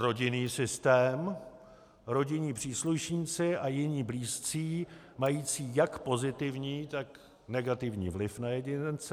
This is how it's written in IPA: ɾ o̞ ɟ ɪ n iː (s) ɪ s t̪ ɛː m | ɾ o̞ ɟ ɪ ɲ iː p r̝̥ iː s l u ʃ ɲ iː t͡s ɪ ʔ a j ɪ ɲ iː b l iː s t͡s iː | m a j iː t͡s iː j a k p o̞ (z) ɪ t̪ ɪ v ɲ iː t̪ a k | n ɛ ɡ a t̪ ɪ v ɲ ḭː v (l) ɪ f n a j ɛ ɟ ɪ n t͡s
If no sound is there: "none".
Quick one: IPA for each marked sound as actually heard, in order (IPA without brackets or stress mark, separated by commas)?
s, z, l